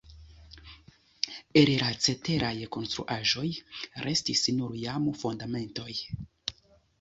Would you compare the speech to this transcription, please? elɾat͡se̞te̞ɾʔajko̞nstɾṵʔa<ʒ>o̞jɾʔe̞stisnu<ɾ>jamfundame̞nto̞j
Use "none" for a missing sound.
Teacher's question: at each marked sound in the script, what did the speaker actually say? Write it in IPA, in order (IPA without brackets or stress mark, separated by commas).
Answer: ʒ, ɾ